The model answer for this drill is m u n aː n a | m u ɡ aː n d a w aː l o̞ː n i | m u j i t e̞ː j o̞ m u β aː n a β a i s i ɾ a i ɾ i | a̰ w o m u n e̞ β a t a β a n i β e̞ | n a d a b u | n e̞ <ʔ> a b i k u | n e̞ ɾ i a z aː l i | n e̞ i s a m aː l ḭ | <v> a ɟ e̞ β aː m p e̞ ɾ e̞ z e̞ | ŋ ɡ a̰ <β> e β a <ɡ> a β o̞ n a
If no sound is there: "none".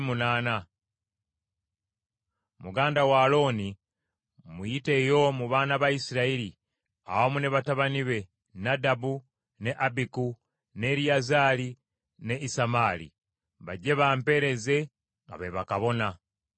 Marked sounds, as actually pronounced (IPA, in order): ʔ, β, β, k

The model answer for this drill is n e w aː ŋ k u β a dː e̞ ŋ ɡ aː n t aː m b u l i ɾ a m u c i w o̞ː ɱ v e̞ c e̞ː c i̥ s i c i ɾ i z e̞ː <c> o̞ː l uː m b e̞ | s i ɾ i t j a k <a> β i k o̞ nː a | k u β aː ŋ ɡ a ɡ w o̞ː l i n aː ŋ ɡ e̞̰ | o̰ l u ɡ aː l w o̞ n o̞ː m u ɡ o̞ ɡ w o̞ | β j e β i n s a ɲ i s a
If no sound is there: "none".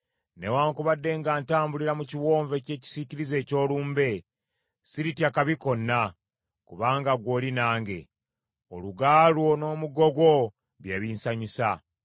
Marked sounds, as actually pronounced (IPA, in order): c, a

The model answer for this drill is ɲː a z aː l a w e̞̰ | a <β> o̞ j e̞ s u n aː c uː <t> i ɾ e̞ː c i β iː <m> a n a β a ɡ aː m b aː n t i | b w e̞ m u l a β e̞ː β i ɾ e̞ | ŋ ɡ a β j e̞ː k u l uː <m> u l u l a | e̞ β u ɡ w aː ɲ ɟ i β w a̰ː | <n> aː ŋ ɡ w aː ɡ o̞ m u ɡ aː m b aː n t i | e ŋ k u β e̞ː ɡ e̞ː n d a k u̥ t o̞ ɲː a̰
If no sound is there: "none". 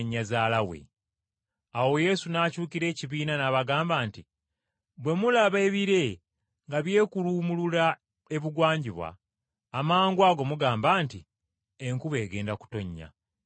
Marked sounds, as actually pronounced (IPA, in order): w, k, n, m, m

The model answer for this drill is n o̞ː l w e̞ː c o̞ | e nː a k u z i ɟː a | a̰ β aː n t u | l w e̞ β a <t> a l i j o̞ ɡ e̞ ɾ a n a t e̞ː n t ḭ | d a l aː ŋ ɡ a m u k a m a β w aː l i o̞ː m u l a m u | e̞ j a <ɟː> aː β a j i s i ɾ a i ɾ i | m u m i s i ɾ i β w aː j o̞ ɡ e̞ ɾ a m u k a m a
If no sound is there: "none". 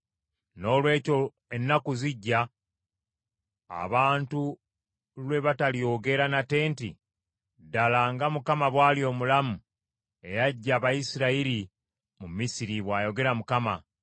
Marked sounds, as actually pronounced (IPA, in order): t, ɟː

